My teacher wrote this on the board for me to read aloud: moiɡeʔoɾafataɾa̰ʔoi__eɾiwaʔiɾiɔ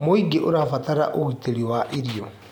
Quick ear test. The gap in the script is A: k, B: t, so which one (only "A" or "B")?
B